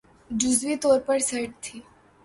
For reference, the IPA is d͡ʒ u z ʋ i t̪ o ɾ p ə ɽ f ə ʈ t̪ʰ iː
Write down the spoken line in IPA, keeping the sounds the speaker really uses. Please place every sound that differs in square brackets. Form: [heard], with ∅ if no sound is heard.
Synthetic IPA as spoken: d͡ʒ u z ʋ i t̪ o ɾ p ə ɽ [s] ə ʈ t̪ʰ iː

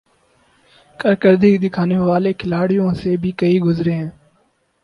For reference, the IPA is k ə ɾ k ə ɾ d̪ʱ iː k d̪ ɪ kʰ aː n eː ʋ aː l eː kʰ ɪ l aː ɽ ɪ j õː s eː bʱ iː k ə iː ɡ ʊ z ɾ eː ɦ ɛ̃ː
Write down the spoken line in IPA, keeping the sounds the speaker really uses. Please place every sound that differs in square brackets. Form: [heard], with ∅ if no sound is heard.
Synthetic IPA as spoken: k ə ɾ k ə ɾ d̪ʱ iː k d̪ ɪ kʰ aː n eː ʋ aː l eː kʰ ɪ l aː ɽ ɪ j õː s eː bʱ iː k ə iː ɡ ʊ z ɾ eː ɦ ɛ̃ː

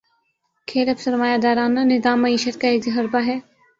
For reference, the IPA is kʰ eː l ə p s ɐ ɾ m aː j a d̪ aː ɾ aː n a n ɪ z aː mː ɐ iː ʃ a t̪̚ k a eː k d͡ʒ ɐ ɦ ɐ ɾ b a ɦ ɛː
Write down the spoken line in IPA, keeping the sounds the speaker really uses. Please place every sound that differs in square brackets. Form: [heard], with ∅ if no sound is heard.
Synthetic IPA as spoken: kʰ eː l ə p s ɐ ɾ m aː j a d̪ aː ɾ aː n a n ɪ z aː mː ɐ iː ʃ [ə] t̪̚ k a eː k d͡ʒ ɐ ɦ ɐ ɾ b a ɦ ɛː

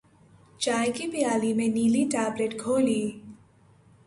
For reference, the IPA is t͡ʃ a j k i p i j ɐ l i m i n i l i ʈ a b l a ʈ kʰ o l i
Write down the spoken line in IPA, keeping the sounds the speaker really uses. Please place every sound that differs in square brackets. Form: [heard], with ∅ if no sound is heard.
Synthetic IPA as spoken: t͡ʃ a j k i p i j [a] l i m [e] n i l i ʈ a b l [e] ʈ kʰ o l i

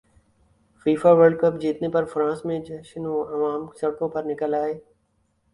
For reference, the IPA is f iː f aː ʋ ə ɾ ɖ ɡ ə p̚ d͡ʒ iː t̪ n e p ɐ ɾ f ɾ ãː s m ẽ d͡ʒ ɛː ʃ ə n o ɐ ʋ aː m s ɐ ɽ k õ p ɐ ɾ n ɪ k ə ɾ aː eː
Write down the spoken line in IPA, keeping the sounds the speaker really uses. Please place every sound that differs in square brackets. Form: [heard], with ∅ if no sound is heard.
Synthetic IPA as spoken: f iː f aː ʋ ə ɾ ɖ [k] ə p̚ d͡ʒ iː t̪ n e p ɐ ɾ f ɾ ãː s m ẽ d͡ʒ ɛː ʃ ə n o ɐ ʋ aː m s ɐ ɽ k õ p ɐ ɾ n ɪ k ə [l] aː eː

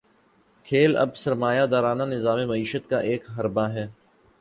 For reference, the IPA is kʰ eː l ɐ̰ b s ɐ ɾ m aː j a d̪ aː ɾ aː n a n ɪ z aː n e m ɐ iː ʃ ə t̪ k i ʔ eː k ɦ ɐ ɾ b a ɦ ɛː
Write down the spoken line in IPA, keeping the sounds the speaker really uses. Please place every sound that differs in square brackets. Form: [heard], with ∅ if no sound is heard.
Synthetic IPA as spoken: kʰ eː l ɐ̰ b s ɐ ɾ m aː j a d̪ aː ɾ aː n a n ɪ z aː [m] e m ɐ iː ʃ ə t̪ k [a] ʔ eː k ɦ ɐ ɾ b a ɦ ɛː

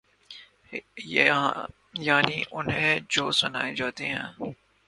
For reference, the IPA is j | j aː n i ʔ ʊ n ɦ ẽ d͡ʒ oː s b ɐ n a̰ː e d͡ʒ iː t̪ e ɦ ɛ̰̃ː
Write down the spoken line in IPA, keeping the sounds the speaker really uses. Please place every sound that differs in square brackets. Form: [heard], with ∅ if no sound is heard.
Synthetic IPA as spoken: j | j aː n i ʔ ʊ n ɦ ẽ d͡ʒ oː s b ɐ n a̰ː e d͡ʒ [aː] t̪ e ɦ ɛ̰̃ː

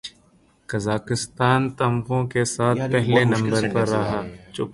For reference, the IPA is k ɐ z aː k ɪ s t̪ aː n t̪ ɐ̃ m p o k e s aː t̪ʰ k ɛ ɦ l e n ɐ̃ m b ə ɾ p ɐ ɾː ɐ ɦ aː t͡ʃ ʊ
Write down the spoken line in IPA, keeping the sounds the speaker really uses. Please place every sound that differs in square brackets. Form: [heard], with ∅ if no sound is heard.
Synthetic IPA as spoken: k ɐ z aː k ɪ s t̪ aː n t̪ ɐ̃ m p [õ] k e s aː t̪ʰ [p] ɛ ɦ l e n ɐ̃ m b ə ɾ p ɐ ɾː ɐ ɦ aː t͡ʃ ʊ

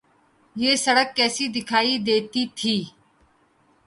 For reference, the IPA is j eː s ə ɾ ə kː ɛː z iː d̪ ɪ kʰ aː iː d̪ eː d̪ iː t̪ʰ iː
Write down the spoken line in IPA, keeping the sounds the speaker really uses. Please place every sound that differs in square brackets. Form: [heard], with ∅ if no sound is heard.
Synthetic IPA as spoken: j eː s ə [ɽ] ə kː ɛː [s] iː d̪ ɪ kʰ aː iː d̪ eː [t̪] iː t̪ʰ iː

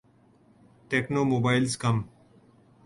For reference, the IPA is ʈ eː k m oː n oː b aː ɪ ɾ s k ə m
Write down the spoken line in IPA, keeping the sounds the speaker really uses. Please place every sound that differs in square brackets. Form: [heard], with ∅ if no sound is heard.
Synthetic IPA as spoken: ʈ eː k [n] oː [m] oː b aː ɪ [l] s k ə m

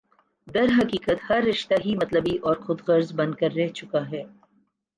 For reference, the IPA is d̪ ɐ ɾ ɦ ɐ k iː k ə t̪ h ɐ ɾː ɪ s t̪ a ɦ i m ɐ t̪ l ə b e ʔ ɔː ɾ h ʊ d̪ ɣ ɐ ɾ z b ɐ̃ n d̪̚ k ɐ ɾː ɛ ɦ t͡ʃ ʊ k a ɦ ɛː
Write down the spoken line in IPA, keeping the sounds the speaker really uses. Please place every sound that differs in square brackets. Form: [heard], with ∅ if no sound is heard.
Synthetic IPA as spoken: d̪ ɐ ɾ ɦ ɐ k iː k ə t̪ h ɐ ɾː ɪ [ʃ] t̪ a ɦ i m ɐ t̪ l ə b [i] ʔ ɔː ɾ [x] ʊ d̪ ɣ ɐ ɾ z b ɐ̃ n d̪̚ k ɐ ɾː ɛ ɦ t͡ʃ ʊ k a ɦ ɛː

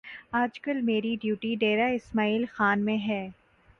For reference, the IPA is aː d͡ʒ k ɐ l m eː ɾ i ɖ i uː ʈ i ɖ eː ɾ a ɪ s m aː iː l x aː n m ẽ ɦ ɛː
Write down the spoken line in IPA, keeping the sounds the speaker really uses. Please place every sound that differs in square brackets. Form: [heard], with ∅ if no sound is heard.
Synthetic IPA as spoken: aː d͡ʒ k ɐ l m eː ɾ i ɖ [j] uː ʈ i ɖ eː ɾ a ɪ s m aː iː l x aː n m ẽ ɦ ɛː

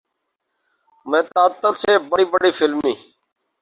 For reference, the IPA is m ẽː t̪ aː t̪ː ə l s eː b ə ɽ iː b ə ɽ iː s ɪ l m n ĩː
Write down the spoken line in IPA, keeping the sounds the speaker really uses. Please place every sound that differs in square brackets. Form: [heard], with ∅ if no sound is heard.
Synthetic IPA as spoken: m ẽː t̪ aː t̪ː ə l s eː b ə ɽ iː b ə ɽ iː [f] ɪ l m n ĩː

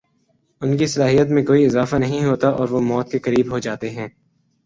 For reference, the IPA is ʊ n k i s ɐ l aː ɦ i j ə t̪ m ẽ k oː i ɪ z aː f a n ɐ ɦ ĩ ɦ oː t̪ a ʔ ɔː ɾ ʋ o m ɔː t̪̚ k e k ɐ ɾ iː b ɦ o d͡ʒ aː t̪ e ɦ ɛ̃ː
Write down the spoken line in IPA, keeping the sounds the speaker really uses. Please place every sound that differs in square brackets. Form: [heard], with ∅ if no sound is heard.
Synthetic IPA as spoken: ʊ n k i s ɐ l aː ɦ i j ə t̪ m ẽ k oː i ɪ z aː f a n ɐ ɦ ĩ ɦ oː t̪ a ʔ ɔː ɾ ʋ o m ɔː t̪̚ k e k ɐ ɾ iː b ɦ o d͡ʒ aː t̪ e ɦ ɛ̃ː

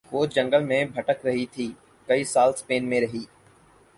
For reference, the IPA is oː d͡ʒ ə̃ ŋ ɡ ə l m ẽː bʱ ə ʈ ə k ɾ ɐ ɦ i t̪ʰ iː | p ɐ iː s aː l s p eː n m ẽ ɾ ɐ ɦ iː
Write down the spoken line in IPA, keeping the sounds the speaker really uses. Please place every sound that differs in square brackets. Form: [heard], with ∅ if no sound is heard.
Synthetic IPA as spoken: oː d͡ʒ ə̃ ŋ ɡ ə l m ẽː bʱ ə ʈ ə k ɾ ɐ ɦ i t̪ʰ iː | [k] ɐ iː s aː l s p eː n m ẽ ɾ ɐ ɦ iː

